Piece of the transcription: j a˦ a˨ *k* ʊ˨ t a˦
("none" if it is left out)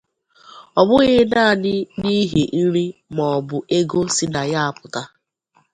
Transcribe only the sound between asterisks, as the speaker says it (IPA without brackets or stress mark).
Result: p